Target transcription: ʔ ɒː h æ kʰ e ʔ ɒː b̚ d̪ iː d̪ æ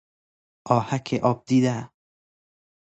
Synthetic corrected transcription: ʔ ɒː h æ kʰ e ʔ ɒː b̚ d̪ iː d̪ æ

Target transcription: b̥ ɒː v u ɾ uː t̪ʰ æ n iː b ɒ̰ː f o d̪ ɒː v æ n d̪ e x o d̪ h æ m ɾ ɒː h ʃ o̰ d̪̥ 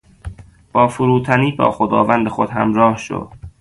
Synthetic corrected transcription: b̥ ɒː f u ɾ uː t̪ʰ æ n iː b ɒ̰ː x o d̪ ɒː v æ n d̪ e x o d̪ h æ m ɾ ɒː h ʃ o̰ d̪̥

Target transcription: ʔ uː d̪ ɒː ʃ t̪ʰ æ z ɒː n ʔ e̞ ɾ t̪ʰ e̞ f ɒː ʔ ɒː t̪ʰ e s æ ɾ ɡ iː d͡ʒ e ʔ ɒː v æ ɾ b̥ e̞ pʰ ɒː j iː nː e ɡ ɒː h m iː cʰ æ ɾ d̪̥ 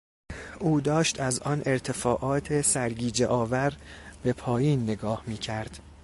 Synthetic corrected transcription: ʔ uː d̪ ɒː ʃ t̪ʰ æ z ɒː n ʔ e̞ ɾ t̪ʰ e̞ f ɒː ʔ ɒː t̪ʰ e s æ ɾ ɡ iː d͡ʒ e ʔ ɒː v æ ɾ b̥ e̞ pʰ ɒː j iː nː e ɡ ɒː h m iː cʰ æ ɾ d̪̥

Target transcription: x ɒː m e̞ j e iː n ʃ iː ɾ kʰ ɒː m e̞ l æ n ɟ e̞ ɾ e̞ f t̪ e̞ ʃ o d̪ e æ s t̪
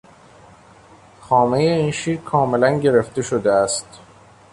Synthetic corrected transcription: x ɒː m e̞ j e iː n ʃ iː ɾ kʰ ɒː m e̞ l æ n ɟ e̞ ɾ e̞ f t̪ e̞ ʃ o d̪ e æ s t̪

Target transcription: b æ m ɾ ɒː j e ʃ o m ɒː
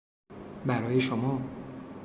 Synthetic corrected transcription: b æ ɾ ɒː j e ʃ o m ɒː

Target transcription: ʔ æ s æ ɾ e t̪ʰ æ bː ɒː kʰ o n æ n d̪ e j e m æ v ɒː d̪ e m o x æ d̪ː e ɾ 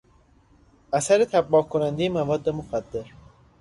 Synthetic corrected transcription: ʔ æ s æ ɾ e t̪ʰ æ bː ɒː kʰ o n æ n d̪ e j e m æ v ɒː d̪ː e m o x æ d̪ː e ɾ

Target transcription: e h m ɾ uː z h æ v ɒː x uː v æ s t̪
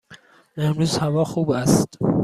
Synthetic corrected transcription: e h m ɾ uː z h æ v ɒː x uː b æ s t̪

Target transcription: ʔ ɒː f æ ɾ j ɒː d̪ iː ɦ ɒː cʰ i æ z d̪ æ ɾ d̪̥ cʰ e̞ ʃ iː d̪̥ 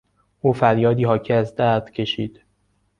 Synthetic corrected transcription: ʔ uː f æ ɾ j ɒː d̪ iː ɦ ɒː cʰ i æ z d̪ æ ɾ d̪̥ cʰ e̞ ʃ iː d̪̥

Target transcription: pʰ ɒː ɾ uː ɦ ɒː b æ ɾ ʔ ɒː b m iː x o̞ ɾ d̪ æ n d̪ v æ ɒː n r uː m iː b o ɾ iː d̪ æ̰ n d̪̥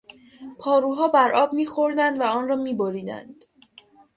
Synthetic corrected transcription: pʰ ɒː ɾ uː ɦ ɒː b æ ɾ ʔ ɒː b m iː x o̞ ɾ d̪ æ n d̪ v æ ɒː n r ɒː m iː b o ɾ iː d̪ æ̰ n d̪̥

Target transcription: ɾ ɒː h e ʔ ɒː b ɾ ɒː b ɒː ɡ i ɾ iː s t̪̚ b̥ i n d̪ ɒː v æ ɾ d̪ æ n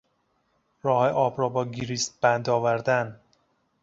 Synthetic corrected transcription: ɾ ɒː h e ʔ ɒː b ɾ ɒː b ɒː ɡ i ɾ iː s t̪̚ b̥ æ n d̪ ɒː v æ ɾ d̪ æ n

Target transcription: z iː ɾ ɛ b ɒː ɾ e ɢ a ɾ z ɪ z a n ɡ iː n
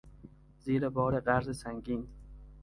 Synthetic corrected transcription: z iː ɾ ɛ b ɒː ɾ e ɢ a ɾ z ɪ s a ŋ ɡ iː n

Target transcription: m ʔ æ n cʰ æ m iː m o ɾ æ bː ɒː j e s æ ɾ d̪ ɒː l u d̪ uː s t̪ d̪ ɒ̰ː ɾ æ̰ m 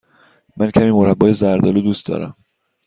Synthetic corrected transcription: m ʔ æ n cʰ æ m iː m o ɾ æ bː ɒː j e z æ ɾ d̪ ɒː l u d̪ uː s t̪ d̪ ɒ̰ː ɾ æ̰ m

